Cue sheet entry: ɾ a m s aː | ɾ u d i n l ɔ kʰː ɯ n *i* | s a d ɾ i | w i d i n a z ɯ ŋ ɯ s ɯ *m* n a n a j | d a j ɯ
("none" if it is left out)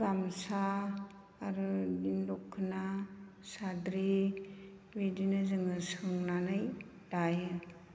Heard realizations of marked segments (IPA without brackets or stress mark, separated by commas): a, ŋ